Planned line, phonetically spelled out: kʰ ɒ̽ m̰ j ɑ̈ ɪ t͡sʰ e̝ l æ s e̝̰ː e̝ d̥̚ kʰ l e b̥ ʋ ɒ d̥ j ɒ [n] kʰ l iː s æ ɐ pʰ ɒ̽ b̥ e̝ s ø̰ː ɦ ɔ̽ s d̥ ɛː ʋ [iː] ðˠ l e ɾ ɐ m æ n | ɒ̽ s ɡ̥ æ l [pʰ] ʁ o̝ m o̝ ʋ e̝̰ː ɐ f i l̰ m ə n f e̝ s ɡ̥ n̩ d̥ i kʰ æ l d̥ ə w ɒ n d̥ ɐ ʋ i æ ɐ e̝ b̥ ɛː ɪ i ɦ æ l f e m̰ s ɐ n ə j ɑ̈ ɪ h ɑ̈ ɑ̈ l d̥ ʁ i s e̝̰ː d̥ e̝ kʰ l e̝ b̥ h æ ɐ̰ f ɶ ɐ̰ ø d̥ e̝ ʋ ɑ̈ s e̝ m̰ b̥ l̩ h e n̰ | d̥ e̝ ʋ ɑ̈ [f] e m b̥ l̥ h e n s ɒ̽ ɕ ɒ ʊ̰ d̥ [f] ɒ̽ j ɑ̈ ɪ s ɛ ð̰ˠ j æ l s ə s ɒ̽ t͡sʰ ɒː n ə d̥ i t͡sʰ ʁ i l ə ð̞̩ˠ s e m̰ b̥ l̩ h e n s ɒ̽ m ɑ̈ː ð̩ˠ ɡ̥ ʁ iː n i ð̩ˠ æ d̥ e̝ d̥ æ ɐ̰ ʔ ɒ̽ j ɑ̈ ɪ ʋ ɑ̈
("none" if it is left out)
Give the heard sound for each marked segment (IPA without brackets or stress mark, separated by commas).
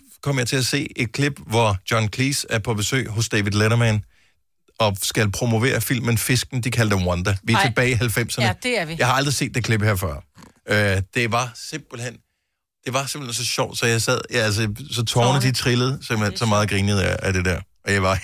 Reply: n, i, pʰ, s, s